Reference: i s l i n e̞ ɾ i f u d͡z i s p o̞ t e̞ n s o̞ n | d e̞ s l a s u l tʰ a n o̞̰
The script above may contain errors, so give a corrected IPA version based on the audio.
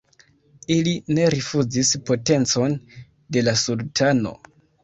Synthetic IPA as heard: i l i n e̞ ɾ i f u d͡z i s p o̞ t e̞ n t͡s o̞ n | d e̞ l a s u l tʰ a n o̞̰